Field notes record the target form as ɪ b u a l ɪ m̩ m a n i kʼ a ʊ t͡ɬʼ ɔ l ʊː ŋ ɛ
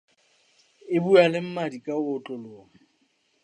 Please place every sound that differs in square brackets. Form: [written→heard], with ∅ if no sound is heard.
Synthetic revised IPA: ɪ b u a l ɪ m̩ m a [n→d] i kʼ a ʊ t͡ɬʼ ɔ l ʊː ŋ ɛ